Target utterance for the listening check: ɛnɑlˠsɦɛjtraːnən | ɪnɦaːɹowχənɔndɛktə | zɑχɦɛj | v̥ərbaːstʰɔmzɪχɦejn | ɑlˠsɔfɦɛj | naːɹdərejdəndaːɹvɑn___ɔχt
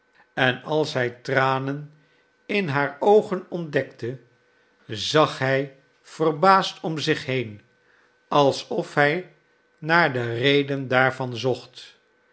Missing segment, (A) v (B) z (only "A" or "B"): B